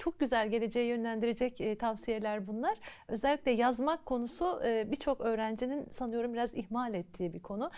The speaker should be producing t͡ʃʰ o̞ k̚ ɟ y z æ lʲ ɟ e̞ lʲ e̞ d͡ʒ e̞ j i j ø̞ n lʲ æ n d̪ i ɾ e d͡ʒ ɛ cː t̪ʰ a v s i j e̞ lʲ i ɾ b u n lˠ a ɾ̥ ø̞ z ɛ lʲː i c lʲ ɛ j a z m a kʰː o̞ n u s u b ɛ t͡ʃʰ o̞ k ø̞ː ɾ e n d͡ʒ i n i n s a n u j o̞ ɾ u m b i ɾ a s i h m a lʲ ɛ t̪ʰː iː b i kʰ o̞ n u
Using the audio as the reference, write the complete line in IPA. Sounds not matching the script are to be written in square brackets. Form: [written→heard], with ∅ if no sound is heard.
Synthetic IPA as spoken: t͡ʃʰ o̞ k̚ ɟ y z æ lʲ ɟ e̞ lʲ e̞ d͡ʒ e̞ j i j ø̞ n lʲ æ n d̪ i ɾ e d͡ʒ ɛ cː t̪ʰ a v s i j e̞ lʲ [i→æ] ɾ b u n lˠ a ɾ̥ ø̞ z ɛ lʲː i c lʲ ɛ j a z m a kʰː o̞ n u s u b [ɛ→i] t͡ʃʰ o̞ k ø̞ː ɾ [e→æ] n d͡ʒ i n i n s a n [u→ɯ] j o̞ ɾ u m b i ɾ a [s→z] i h m a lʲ ɛ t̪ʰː iː b i kʰ o̞ n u